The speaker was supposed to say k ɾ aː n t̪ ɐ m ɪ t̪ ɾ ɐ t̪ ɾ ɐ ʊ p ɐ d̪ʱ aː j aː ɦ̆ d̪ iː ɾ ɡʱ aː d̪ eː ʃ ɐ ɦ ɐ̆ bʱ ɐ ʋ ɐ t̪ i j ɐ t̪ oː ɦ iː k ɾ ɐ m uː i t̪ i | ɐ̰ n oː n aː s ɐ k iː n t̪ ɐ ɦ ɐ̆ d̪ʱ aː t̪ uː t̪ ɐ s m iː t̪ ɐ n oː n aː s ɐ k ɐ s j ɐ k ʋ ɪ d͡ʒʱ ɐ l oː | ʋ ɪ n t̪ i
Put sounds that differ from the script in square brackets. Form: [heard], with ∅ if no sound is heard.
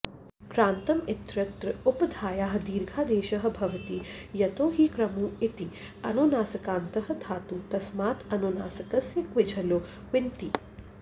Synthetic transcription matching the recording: k ɾ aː n t̪ ɐ m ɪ t̪ ɾ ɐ t̪ ɾ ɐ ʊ p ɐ d̪ʱ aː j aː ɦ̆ d̪ iː ɾ ɡʱ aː d̪ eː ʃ ɐ ɦ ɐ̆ bʱ ɐ ʋ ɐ t̪ i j ɐ t̪ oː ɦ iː k ɾ ɐ m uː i t̪ i | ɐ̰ n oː n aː s ɐ k [aː] n t̪ ɐ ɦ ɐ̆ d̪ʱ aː t̪ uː t̪ ɐ s m [aː] t̪ ɐ n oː n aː s ɐ k ɐ s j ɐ k ʋ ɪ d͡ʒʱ ɐ l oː | ʋ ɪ n t̪ i